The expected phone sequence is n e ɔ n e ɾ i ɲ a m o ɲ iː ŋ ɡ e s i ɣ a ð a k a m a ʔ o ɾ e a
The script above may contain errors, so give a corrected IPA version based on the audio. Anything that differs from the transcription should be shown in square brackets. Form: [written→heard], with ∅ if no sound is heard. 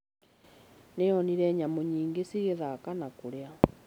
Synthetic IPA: n e ɔ n [e→i] ɾ [i→ɛ] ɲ a m o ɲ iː ŋ ɡ e s i ɣ [a→e] ð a k a [m→n] a [ʔ→k] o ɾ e a